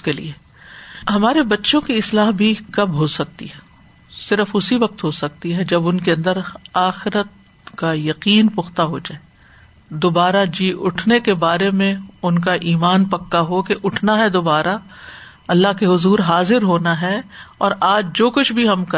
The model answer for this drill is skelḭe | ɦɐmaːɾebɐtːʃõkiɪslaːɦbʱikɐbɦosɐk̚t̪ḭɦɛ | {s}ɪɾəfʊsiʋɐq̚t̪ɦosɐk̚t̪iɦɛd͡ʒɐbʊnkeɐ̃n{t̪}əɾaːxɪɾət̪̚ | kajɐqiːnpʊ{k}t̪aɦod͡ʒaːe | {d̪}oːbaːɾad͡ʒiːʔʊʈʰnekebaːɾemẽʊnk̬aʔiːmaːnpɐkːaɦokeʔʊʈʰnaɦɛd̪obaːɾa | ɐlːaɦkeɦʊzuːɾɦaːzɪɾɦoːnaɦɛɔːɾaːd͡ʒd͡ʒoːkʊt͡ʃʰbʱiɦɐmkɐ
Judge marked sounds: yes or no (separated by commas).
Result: yes, no, no, yes